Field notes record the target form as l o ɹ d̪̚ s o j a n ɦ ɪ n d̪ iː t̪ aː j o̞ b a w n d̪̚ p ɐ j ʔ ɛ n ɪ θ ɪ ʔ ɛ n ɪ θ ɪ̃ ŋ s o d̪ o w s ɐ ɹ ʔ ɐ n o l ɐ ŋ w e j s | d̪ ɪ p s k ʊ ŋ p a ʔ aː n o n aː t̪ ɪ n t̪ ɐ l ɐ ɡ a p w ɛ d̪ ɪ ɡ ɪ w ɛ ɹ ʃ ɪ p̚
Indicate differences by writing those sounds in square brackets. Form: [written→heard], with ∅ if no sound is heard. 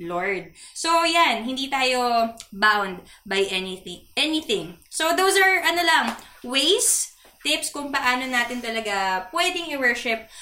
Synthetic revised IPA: l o ɹ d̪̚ s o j a n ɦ ɪ n d̪ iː t̪ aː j o̞ b a w n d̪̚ [p→b] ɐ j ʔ ɛ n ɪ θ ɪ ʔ ɛ n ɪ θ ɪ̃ ŋ s o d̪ o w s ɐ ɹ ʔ ɐ n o l ɐ ŋ w e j s | [d̪→t̪] ɪ p s k ʊ ŋ p [a→ɐ] ʔ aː n o n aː t̪ ɪ n t̪ ɐ l ɐ ɡ a p w ɛ d̪ ɪ [ɡ→ŋ] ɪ w ɛ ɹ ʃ ɪ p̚